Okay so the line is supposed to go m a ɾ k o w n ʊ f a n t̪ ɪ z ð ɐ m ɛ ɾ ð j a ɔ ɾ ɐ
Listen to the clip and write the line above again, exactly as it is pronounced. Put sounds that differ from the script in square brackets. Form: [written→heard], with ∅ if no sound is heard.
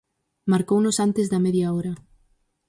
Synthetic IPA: m a ɾ k o w n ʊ [f→s] a n t̪ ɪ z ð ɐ m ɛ [ɾ→∅] ð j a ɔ ɾ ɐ

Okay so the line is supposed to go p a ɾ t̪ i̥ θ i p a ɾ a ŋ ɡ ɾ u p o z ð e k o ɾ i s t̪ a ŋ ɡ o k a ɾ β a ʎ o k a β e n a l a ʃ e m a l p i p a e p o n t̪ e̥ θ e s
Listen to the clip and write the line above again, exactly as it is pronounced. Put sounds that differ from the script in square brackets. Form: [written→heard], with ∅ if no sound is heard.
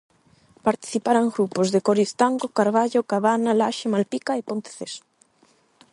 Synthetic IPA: p a ɾ t̪ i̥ θ i p a ɾ a ŋ ɡ ɾ u p o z ð e k o ɾ i s t̪ a ŋ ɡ o k a ɾ β a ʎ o k a β [e→a] n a l a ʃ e m a l p i [p→k] a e p o n t̪ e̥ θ e s

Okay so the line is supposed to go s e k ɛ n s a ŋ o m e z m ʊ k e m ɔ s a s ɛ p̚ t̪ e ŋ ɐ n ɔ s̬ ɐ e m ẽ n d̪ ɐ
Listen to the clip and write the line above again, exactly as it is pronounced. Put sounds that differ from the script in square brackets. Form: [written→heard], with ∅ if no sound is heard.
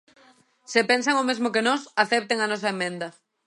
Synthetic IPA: s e [k→p] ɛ n s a ŋ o m e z m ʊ k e [m→n] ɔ s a [s→θ] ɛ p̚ t̪ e ŋ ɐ n ɔ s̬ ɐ e m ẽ n d̪ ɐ

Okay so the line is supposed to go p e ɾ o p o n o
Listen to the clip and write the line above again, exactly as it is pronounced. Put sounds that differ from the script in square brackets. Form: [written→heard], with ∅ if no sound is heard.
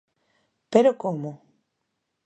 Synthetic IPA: p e ɾ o [p→k] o [n→m] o

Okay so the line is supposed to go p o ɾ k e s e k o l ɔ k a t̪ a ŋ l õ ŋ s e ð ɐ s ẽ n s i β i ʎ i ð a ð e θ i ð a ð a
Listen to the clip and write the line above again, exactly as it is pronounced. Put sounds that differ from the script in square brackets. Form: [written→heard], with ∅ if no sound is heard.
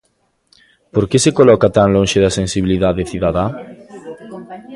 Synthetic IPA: p o ɾ k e s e k o l ɔ k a t̪ a ŋ l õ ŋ [s→ʃ] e ð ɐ s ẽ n s i β i [ʎ→l] i ð a ð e θ i ð a ð a

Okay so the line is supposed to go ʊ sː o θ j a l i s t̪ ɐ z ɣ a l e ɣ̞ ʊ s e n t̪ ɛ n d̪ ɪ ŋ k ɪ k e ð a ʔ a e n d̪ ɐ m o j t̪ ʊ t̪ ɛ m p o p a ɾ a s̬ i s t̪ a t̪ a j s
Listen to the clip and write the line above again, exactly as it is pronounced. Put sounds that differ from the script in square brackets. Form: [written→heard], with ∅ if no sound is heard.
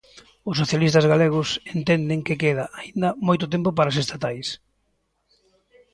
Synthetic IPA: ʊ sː o θ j a l i s t̪ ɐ z ɣ a l e ɣ̞ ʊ s e n t̪ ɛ n d̪ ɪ ŋ k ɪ k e ð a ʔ a [e→i] n d̪ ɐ m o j t̪ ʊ t̪ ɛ m p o p a ɾ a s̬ [i→e] s t̪ a t̪ a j s

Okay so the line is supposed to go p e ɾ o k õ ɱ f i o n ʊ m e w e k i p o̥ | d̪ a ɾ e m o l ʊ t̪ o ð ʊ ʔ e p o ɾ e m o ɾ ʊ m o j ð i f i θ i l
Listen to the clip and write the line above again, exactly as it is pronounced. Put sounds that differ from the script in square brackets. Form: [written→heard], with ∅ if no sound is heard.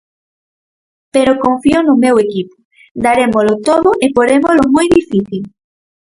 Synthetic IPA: p e ɾ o k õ ɱ f i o n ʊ m e w e k i p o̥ | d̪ a ɾ e m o l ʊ t̪ o ð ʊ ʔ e p o ɾ e m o [ɾ→l] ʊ m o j ð i f i θ i l

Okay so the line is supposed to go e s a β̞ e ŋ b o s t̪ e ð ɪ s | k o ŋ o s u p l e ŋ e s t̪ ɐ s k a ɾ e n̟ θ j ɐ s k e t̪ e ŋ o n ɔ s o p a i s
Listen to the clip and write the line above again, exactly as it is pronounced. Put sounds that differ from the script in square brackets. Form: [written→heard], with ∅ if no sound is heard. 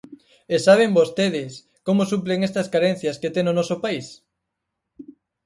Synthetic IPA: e s a β̞ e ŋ b o s t̪ e ð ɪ s | k o [ŋ→m] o s u p l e ŋ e s t̪ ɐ s k a ɾ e n̟ θ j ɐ s k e t̪ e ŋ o n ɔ s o p a i s

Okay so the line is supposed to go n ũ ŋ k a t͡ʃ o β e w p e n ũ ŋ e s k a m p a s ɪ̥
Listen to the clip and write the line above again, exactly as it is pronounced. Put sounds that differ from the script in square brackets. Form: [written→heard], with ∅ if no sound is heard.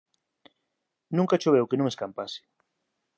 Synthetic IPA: n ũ ŋ k a t͡ʃ o β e w [p→k] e n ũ ŋ e s k a m p a s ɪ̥

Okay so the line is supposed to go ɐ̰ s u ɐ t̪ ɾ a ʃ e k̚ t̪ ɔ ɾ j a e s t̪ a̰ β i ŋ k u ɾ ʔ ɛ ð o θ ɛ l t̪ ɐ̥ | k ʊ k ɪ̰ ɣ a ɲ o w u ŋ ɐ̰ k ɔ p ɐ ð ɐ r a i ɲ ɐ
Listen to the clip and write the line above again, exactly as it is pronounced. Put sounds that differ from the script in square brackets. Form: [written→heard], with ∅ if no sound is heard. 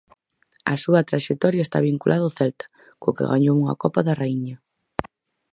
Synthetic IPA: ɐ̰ s u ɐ t̪ ɾ a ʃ e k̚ t̪ ɔ ɾ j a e s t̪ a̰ β i ŋ k u [ɾ→l] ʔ [ɛ→a] ð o θ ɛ l t̪ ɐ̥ | k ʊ k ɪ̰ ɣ a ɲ o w u ŋ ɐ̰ k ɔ p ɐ ð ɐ r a i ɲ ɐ

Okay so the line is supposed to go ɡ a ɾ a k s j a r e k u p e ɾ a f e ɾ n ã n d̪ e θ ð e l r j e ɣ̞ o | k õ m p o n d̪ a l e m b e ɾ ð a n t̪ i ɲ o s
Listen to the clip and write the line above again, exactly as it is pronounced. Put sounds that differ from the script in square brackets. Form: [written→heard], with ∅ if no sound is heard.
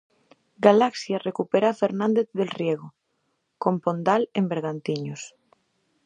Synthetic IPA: ɡ a [ɾ→l] a k s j a r e k u p e ɾ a f e ɾ n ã n d̪ e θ ð e l r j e ɣ̞ o | k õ m p o n d̪ a l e m b e ɾ [ð→ɣ] a n t̪ i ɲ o s

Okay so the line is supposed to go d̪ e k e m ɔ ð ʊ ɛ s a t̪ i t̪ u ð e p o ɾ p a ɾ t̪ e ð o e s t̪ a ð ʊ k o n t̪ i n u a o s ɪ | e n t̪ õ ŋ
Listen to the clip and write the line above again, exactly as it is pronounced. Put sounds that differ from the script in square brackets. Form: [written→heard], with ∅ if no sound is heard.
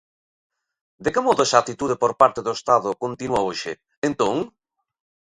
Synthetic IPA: d̪ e k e m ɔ ð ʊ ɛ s a t̪ i t̪ u ð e p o ɾ p a ɾ t̪ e ð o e s t̪ a ð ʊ k o n t̪ i n u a o [s→ʃ] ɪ | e n t̪ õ ŋ

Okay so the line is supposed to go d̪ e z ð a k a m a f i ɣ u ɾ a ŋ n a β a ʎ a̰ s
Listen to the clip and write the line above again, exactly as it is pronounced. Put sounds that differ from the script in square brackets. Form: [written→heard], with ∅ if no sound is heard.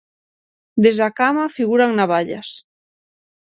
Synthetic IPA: d̪ e z ð a k a m a f i ɣ u ɾ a ŋ n a β a ʎ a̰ s

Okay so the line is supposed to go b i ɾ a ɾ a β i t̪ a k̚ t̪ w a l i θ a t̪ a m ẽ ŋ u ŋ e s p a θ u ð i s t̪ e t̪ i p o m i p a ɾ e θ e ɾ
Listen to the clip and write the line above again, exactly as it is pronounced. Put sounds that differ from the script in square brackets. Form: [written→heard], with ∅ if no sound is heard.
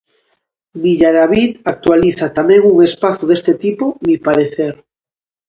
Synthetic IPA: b i [ɾ→ʎ] a ɾ a β i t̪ a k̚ t̪ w a l i θ a t̪ a m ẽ ŋ u ŋ e s p a θ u ð [i→e] s t̪ e t̪ i p o m i p a ɾ e θ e ɾ

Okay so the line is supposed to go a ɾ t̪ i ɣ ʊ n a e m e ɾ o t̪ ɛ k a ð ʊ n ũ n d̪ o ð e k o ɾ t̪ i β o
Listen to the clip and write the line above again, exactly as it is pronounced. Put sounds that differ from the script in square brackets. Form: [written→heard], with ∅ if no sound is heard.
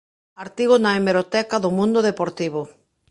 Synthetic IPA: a ɾ t̪ i ɣ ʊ n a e m e ɾ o t̪ ɛ k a ð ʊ [n→m] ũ n d̪ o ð e [k→p] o ɾ t̪ i β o

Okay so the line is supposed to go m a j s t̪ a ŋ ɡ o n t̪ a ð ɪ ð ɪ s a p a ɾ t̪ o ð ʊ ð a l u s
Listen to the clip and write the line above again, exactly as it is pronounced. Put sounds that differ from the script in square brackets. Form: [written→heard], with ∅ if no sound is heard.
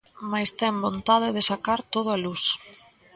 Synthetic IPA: m a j s t̪ [a→ɛ] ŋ [ɡ→b] o n t̪ a ð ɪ ð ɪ s a [p→k] a ɾ t̪ o ð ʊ [ð→∅] a l u s

